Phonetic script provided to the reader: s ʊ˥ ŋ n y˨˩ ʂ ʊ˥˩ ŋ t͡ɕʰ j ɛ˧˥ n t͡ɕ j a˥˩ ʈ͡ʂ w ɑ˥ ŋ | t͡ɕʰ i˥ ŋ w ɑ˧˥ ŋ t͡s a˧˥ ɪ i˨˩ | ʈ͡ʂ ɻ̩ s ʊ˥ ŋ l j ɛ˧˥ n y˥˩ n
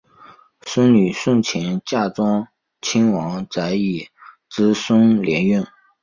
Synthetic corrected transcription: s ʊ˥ ŋ n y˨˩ ʂ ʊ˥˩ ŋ t͡ɕʰ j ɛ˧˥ n t͡ɕ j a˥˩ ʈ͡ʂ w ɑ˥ ŋ | t͡ɕʰ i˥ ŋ w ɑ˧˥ ŋ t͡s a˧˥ ɪ i˨˩ | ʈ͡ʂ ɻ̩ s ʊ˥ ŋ l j ɛ˧˥ n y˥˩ n